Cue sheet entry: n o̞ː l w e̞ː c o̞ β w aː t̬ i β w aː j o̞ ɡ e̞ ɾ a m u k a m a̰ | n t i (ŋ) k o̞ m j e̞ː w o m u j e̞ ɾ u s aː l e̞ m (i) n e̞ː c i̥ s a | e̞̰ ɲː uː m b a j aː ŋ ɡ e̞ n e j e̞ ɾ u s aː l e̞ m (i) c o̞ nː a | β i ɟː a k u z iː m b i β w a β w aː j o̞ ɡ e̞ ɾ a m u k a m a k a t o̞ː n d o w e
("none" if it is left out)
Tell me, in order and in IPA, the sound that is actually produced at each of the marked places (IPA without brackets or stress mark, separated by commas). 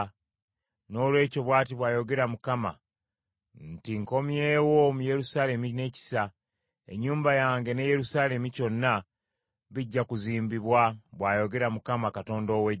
ŋ, i, i